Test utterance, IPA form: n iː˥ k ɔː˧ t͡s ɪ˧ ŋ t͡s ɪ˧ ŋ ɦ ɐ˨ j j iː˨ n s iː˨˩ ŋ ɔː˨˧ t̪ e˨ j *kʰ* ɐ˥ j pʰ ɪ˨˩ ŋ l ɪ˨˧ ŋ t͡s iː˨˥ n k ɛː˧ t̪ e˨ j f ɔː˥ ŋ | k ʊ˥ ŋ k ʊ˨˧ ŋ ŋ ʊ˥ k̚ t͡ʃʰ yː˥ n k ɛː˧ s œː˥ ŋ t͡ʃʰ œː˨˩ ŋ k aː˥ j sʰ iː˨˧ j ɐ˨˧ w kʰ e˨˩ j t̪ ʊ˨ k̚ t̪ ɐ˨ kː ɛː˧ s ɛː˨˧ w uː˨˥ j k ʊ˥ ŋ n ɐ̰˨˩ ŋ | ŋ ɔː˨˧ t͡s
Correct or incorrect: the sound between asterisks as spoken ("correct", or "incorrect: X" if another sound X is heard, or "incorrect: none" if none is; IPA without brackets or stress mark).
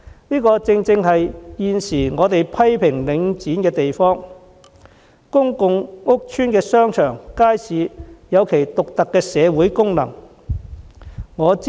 incorrect: pʰ